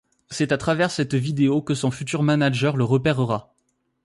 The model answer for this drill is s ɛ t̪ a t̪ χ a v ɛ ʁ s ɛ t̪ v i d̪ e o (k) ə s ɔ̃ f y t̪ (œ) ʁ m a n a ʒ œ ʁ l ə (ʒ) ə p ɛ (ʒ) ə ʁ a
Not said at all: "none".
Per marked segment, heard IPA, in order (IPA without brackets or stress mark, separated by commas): k, y, ʁ, ʁ